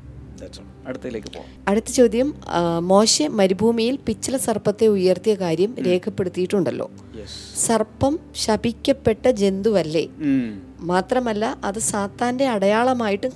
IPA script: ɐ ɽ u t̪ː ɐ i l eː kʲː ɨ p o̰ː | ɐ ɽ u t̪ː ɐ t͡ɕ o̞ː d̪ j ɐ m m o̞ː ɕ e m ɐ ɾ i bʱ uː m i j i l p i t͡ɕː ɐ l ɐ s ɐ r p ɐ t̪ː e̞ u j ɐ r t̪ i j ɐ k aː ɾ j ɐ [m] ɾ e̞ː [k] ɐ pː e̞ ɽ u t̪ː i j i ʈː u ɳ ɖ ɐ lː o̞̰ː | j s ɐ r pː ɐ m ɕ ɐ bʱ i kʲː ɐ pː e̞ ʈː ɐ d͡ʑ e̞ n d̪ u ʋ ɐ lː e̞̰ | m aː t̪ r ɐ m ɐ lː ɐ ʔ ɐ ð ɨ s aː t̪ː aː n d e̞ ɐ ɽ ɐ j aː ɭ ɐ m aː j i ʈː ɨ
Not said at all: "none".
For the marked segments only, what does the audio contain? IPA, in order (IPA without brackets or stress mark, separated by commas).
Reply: m, kʰ